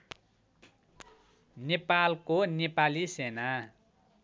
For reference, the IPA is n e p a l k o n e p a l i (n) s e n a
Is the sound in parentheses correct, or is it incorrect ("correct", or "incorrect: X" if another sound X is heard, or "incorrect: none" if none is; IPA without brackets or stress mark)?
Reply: incorrect: none